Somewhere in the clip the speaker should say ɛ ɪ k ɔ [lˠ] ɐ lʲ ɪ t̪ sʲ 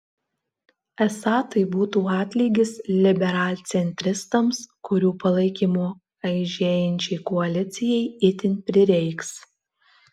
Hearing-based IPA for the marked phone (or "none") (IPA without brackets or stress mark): none